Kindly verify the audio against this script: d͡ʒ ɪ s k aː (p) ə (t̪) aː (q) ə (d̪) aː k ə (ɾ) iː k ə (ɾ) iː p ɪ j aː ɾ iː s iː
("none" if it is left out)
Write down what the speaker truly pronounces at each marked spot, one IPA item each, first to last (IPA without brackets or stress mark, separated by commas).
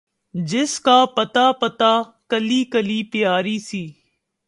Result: p, t̪, p, t̪, l, l